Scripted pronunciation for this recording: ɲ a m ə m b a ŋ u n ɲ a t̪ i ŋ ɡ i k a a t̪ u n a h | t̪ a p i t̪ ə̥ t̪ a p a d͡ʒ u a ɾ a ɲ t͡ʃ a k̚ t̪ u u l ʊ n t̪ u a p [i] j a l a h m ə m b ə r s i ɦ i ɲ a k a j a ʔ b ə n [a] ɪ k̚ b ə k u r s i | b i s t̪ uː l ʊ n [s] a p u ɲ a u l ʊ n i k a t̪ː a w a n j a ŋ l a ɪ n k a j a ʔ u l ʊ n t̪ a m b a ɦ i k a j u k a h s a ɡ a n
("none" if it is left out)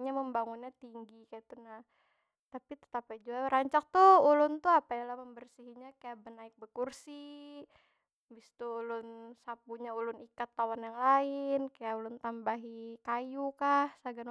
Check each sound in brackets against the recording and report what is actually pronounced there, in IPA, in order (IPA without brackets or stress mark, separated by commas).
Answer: a, a, s